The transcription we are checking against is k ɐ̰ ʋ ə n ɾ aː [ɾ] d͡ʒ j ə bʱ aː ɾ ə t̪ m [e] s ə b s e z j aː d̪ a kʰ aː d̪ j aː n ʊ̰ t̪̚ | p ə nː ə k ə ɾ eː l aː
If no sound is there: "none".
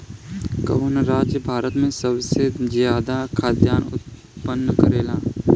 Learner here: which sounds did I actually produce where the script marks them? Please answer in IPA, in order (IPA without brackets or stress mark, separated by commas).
none, ẽ